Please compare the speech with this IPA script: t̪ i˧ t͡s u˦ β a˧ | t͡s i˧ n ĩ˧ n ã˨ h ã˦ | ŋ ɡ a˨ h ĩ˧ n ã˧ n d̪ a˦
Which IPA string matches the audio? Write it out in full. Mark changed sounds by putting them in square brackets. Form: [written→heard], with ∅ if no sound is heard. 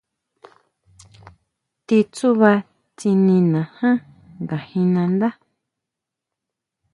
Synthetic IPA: t̪ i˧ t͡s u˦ β a˧ | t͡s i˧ n ĩ˧ n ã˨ h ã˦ | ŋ ɡ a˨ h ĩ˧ n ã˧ n d̪ a˦